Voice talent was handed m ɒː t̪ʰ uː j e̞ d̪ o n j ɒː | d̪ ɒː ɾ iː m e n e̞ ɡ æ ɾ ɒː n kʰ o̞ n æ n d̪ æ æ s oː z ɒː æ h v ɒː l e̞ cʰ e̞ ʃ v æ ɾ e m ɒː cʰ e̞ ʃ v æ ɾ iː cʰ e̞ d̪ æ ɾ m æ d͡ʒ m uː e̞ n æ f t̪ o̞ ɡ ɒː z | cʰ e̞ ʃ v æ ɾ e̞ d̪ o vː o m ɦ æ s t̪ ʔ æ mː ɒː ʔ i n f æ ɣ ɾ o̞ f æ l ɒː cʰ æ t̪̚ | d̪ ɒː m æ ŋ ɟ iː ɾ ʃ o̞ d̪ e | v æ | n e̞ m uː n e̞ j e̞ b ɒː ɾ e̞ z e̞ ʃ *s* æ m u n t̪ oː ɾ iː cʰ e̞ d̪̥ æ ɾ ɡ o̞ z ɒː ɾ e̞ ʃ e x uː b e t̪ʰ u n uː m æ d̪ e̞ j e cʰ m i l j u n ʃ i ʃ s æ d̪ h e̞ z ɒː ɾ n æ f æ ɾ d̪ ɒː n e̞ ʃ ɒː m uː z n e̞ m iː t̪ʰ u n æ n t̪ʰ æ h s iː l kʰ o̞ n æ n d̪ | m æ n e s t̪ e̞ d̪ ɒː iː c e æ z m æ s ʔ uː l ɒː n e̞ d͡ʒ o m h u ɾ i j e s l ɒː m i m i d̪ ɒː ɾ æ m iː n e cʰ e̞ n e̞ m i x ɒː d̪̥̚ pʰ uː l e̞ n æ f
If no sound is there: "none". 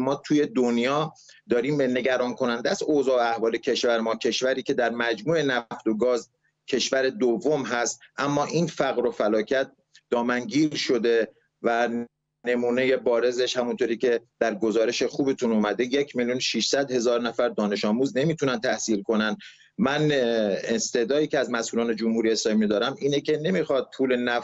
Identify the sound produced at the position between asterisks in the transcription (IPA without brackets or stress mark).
h